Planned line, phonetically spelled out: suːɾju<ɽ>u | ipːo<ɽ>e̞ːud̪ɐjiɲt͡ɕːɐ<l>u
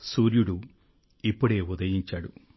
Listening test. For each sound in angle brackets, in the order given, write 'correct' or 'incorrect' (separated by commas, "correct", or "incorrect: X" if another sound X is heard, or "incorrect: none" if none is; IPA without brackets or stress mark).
correct, correct, incorrect: ɽ